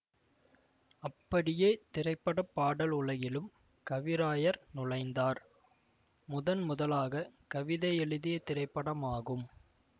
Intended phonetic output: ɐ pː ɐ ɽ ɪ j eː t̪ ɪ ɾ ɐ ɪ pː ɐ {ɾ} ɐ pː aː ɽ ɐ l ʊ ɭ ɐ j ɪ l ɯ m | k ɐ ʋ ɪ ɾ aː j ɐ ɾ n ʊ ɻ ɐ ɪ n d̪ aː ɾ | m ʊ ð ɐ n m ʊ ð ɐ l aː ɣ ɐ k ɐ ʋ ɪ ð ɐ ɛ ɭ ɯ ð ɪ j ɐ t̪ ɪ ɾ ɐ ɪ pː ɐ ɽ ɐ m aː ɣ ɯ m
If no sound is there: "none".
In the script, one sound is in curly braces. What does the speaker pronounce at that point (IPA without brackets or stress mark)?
ɽ